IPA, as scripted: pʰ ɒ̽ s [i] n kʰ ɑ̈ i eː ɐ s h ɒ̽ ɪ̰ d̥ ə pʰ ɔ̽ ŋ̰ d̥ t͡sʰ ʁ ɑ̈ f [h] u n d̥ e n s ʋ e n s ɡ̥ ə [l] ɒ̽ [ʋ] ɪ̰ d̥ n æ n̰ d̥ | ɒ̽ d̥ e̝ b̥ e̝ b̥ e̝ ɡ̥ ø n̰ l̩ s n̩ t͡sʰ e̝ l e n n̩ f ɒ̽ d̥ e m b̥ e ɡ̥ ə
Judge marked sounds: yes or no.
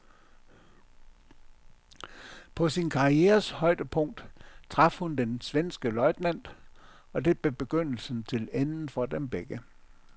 yes, yes, yes, no

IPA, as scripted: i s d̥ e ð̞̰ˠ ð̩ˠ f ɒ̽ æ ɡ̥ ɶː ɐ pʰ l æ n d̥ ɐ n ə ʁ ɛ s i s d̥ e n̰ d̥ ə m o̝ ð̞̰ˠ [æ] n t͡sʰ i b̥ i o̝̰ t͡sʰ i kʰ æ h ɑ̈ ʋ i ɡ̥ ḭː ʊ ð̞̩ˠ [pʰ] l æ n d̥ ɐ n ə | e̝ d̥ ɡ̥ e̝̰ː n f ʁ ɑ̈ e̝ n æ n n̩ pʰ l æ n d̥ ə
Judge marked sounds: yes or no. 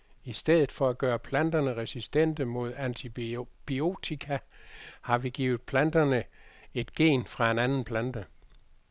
yes, yes

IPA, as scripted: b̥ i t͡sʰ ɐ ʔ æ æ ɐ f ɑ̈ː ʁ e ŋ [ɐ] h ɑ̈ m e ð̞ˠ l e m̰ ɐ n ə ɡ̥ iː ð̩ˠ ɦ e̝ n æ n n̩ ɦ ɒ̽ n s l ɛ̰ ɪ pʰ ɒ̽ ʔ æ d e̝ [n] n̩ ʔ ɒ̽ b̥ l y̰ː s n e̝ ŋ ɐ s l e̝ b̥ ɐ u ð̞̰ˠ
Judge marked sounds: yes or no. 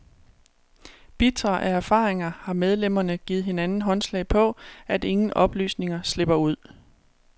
yes, no

